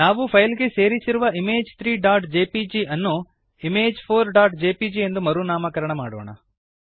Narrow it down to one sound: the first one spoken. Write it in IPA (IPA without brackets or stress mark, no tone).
n